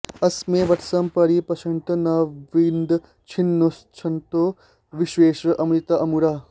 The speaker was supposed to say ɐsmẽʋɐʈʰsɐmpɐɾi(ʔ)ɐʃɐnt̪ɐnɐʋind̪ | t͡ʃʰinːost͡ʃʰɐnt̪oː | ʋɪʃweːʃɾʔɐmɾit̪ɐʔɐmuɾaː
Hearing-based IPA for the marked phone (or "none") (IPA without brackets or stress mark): p